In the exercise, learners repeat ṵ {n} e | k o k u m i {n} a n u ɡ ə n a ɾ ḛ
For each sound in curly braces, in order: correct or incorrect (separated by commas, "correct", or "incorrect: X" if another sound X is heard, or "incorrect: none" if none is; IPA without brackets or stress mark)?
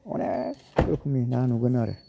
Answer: correct, correct